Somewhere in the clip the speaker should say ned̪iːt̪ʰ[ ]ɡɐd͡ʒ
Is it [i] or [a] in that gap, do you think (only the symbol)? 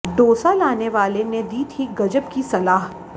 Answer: i